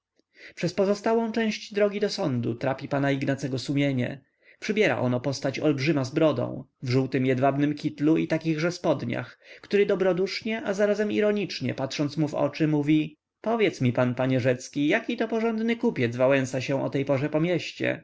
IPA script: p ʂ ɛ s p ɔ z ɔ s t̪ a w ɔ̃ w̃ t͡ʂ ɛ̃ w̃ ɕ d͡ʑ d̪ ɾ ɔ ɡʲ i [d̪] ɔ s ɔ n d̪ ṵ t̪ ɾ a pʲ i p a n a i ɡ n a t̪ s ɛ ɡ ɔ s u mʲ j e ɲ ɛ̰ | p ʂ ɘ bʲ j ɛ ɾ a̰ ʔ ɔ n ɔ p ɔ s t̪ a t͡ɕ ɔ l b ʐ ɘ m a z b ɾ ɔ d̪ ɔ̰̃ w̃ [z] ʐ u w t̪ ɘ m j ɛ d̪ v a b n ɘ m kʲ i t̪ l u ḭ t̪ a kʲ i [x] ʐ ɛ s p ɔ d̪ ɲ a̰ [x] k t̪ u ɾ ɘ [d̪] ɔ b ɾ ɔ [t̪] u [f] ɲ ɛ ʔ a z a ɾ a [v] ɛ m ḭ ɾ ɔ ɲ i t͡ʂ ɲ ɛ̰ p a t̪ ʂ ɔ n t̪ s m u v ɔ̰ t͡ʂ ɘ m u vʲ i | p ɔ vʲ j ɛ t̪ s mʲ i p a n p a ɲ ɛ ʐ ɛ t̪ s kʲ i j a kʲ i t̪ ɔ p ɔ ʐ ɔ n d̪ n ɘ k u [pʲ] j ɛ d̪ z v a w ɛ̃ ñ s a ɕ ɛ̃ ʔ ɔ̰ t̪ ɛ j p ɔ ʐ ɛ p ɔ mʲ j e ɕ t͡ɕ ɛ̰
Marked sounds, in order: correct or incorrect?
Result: correct, incorrect, incorrect, correct, correct, incorrect, incorrect, incorrect, correct

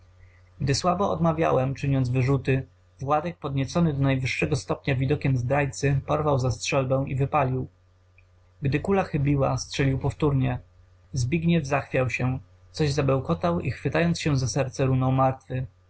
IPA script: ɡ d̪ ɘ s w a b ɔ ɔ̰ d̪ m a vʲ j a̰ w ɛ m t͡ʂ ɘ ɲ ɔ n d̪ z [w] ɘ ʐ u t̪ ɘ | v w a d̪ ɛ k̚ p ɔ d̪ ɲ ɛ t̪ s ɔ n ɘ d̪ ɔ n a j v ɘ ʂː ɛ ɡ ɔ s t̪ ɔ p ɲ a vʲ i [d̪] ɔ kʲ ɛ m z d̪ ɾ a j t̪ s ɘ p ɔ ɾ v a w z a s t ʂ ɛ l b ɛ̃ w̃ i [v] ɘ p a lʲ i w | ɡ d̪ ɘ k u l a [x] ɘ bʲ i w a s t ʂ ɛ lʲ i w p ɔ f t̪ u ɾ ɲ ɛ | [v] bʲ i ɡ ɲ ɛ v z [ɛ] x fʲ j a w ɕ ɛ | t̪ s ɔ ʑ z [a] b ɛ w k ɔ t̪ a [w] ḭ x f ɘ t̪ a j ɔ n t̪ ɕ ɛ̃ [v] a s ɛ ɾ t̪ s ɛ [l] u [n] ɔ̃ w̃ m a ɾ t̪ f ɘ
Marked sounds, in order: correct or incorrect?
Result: incorrect, correct, correct, correct, incorrect, incorrect, correct, correct, incorrect, incorrect, correct

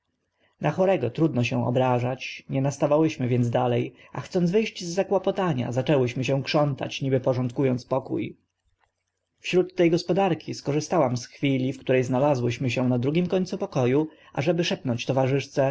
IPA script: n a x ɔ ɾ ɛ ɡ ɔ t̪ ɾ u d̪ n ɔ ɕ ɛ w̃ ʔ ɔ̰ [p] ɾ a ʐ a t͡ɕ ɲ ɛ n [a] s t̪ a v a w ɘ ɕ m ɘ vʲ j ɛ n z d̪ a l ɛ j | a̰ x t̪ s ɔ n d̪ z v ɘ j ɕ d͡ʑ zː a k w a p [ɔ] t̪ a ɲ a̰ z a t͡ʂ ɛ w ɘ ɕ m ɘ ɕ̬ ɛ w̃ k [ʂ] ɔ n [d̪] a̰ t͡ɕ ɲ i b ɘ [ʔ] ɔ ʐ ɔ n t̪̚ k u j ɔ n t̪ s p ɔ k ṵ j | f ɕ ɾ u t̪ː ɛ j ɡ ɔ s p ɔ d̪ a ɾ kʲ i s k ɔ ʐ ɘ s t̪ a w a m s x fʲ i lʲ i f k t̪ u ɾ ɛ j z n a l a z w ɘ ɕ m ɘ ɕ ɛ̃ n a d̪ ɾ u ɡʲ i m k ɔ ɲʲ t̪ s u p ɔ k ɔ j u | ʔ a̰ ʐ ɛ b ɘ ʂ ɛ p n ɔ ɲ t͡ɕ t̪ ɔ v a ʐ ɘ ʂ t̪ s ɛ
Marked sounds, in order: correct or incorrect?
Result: incorrect, correct, correct, correct, incorrect, incorrect

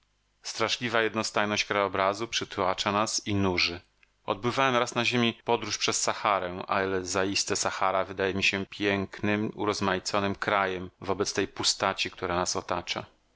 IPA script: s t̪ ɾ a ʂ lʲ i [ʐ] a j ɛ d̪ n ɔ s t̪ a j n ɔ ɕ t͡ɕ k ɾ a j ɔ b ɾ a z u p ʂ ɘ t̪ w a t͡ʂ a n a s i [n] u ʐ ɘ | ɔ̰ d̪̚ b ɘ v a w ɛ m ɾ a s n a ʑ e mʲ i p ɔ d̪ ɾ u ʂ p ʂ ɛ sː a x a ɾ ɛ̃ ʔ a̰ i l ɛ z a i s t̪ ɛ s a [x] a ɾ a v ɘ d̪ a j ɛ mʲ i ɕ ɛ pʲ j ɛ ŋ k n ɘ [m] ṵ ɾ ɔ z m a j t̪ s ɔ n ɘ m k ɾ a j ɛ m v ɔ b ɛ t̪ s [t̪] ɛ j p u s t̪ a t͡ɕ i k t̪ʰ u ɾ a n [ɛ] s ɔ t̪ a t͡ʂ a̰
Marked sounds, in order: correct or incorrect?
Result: incorrect, correct, correct, correct, correct, incorrect

